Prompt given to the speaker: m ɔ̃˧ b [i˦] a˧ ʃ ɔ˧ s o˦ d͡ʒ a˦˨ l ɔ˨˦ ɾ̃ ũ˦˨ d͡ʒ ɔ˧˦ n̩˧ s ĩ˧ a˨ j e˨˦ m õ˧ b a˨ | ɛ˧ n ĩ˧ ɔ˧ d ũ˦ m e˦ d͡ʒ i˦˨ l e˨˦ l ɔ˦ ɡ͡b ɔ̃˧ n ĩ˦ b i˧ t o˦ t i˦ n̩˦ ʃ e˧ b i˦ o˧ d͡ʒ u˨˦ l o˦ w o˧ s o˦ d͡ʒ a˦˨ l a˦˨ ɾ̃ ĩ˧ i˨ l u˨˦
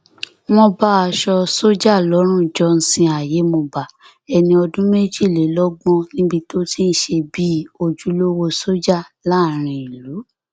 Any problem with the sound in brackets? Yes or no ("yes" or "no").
yes